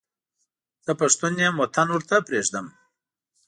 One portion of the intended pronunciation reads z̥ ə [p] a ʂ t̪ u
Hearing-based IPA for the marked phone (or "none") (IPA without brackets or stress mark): p